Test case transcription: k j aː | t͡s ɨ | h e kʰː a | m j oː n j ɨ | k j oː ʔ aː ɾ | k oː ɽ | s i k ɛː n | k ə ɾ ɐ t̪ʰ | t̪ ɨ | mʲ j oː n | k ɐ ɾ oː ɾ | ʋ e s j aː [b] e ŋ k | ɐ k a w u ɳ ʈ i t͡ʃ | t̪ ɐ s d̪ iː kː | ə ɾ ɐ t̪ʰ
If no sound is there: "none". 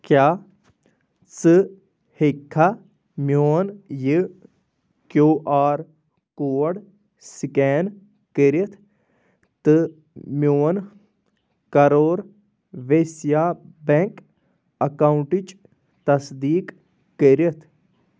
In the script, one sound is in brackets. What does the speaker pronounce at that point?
b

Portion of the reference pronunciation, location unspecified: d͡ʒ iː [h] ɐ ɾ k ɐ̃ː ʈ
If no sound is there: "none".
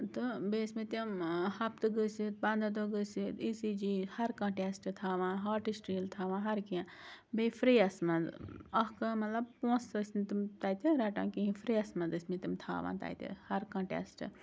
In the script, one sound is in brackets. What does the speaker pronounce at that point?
h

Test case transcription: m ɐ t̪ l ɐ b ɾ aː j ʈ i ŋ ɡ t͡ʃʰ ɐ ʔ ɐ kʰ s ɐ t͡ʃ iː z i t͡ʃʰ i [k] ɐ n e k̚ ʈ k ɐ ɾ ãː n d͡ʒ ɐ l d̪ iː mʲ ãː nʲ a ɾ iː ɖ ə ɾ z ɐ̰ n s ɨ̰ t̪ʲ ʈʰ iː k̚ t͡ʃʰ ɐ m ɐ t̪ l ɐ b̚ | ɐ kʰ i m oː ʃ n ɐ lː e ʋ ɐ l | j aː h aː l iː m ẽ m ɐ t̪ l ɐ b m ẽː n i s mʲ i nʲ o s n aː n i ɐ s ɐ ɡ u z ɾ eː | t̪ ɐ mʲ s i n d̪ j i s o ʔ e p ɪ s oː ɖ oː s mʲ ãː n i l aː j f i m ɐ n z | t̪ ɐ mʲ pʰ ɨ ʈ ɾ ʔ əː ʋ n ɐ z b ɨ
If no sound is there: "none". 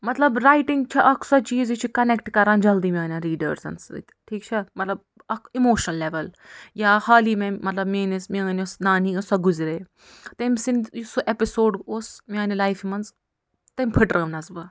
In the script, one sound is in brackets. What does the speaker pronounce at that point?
k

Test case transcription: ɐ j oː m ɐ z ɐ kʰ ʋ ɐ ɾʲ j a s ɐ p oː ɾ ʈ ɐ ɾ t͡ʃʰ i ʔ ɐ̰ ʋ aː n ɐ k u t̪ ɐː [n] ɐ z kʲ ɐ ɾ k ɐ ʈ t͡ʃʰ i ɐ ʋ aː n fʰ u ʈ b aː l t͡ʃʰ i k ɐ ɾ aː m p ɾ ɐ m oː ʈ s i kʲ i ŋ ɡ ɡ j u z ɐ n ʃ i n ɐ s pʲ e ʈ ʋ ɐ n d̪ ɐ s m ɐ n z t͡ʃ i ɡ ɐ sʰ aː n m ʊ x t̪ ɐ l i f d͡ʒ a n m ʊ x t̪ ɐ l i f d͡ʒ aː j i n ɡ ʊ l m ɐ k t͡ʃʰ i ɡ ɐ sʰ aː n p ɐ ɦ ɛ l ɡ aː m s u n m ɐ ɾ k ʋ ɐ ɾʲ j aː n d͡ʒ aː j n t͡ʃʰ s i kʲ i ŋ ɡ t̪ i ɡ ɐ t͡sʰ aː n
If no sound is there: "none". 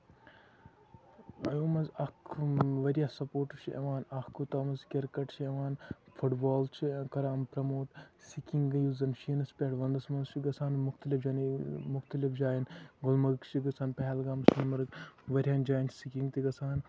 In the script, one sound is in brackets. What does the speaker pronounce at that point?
m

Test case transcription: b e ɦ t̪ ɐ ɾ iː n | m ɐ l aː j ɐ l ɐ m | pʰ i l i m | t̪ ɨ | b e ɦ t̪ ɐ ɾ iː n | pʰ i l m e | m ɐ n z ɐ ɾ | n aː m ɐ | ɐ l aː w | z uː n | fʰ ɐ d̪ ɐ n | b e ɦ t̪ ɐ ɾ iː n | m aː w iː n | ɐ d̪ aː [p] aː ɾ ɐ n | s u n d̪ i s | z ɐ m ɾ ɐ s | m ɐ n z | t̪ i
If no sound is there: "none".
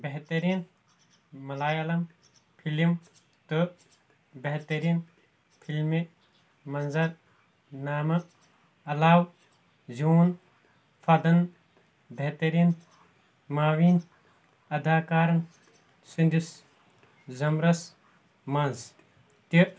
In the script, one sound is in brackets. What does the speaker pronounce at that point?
k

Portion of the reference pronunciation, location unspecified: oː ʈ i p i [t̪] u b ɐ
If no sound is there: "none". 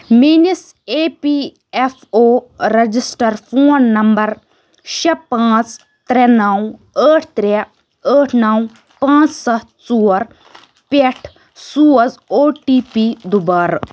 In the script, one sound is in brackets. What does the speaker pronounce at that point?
d̪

